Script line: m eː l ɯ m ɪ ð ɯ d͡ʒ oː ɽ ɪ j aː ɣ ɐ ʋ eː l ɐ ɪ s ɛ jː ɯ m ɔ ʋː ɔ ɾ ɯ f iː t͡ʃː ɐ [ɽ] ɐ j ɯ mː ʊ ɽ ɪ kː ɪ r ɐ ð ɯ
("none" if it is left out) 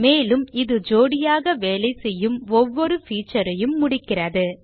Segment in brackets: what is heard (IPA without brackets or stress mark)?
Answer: ɾ